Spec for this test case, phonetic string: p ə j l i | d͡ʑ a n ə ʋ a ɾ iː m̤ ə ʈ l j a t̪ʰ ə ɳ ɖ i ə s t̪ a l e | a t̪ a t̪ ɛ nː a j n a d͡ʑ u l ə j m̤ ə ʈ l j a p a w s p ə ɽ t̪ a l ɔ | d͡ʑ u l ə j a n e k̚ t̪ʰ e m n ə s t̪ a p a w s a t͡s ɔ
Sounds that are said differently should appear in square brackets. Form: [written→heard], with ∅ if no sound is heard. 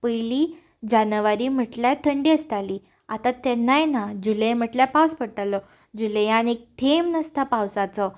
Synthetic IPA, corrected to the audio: p ə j l i | d͡ʑ a n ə ʋ a ɾ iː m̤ ə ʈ l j a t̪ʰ ə ɳ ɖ i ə s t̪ a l [e→i] | a t̪ a t̪ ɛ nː a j n a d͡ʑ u l ə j m̤ ə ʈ l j a p a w s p ə ɽ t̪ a l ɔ | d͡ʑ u l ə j a n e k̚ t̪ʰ e m n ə s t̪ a p a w s a t͡s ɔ